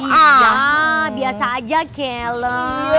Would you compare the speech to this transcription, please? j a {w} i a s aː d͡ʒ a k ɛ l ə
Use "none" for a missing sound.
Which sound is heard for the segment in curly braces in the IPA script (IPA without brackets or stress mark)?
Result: b